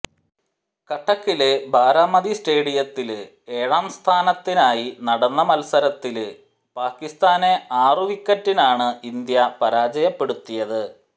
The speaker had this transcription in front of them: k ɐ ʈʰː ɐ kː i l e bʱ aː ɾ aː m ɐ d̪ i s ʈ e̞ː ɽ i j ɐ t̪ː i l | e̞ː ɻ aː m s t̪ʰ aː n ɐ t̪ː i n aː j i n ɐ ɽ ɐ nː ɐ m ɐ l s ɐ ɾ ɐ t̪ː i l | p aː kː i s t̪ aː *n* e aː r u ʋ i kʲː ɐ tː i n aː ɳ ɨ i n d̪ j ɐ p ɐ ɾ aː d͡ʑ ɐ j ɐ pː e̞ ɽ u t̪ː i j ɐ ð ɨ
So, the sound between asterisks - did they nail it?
yes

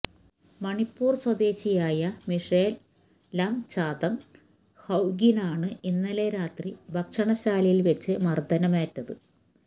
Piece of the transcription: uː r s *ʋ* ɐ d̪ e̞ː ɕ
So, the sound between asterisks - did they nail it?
no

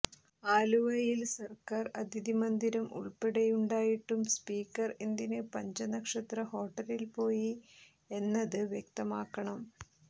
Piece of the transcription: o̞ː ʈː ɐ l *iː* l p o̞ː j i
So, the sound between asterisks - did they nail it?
no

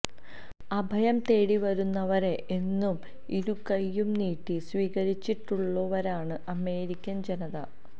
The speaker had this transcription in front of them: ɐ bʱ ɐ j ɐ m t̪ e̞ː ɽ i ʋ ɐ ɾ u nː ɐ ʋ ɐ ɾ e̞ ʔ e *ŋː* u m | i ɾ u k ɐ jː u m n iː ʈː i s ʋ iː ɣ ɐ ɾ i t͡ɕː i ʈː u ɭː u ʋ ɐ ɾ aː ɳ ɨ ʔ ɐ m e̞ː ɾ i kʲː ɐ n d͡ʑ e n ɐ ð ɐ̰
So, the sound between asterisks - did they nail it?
no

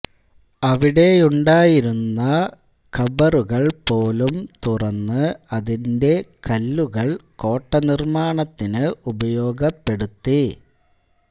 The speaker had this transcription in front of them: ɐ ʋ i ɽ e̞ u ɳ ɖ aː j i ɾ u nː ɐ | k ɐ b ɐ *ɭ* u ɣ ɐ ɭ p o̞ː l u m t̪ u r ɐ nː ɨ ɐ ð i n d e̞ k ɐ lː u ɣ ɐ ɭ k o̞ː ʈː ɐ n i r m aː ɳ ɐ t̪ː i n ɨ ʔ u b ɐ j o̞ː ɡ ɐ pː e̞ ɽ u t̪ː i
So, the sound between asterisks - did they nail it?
no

